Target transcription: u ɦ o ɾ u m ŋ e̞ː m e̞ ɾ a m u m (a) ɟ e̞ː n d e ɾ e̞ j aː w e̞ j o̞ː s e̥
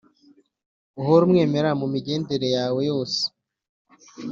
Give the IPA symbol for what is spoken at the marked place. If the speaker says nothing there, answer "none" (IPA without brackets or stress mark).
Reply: i